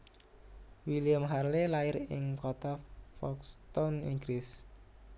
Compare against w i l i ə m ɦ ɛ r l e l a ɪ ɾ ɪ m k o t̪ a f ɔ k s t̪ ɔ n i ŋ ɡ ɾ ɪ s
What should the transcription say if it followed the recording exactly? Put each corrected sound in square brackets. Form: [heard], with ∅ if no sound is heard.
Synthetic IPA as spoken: w i l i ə m ɦ [a] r l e l a ɪ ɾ ɪ [ŋ] k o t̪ a f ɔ k s t̪ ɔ n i ŋ ɡ ɾ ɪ s

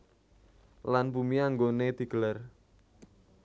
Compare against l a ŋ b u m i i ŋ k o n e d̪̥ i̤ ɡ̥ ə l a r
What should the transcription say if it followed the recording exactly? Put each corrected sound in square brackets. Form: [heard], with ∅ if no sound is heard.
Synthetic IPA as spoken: l a [n] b u m i [a] ŋ [ɡ] o n e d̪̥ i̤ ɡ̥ ə l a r

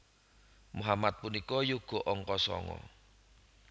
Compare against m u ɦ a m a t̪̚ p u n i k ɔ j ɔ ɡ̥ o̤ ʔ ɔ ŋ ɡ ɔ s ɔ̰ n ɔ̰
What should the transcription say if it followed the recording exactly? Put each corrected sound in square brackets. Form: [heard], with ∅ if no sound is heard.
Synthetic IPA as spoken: m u ɦ a m a t̪̚ p u n i k ɔ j [u] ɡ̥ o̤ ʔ ɔ ŋ [k] ɔ s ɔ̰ [ŋ] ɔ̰

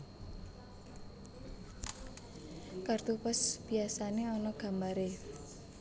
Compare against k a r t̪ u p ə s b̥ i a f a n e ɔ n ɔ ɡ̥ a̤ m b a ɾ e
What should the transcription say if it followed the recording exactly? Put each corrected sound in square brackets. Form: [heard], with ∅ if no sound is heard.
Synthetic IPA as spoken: k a r t̪ u p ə s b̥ i a [s] a n e ɔ n ɔ ɡ̥ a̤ m b a ɾ e

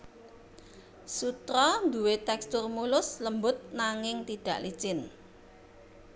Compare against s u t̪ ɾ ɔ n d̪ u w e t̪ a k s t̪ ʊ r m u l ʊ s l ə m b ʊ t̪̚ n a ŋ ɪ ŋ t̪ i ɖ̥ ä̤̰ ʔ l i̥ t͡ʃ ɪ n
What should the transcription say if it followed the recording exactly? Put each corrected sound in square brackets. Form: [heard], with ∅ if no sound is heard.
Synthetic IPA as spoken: s u t̪ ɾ ɔ n d̪ u w e t̪ [ɛ] k s t̪ ʊ r m u l ʊ s l ə m b ʊ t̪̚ n a ŋ ɪ ŋ t̪ i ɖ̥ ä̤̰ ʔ l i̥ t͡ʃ ɪ n

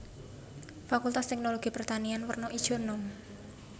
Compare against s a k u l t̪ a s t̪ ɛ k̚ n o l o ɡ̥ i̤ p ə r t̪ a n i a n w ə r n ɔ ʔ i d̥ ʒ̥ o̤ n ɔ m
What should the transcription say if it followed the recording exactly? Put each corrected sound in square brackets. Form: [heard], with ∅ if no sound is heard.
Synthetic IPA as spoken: [f] a k u l t̪ a s t̪ ɛ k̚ n o l o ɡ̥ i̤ p ə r t̪ a n i a n w ə r n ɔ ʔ i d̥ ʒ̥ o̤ n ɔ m

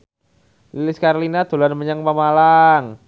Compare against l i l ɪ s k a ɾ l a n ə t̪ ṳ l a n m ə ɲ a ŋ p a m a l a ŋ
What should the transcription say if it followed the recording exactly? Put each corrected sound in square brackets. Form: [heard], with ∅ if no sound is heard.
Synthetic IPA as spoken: l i l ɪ s k a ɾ l [i] n [a] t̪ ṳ l a n m ə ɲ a ŋ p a m a l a ŋ

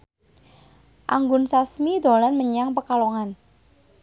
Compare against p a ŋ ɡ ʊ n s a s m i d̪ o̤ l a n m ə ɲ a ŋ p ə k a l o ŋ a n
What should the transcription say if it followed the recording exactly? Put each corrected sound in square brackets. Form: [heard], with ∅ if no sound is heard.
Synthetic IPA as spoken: [ʔ] a ŋ ɡ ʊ n s a s m i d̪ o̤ l a n m ə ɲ a ŋ p ə k a l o ŋ a n

